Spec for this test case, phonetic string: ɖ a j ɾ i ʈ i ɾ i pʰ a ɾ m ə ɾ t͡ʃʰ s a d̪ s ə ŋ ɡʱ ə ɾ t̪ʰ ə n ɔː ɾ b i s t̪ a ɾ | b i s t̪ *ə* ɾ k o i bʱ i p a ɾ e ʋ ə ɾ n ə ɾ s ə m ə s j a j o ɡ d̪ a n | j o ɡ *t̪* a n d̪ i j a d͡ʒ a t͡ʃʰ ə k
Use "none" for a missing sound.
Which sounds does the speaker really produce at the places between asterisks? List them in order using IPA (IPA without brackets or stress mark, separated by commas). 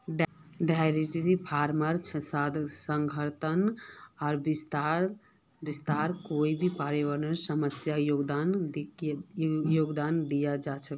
a, d̪